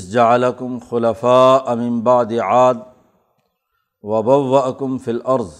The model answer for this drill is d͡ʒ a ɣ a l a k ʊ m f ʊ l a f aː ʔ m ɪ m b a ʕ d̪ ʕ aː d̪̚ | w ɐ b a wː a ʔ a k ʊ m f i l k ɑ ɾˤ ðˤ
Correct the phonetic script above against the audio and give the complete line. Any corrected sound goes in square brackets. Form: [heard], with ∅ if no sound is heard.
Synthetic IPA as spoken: d͡ʒ a [ʕ] a l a k ʊ m [x] ʊ l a f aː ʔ m ɪ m b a ʕ d̪ ʕ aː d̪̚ | w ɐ b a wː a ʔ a k ʊ m f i l [ʔ] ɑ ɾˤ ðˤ